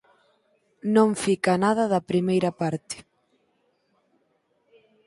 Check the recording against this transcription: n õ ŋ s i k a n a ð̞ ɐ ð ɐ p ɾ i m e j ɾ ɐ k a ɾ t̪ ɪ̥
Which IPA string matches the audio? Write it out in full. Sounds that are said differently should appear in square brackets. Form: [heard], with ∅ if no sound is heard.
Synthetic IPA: n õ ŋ [f] i k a n a ð̞ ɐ ð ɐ p ɾ i m e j ɾ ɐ [p] a ɾ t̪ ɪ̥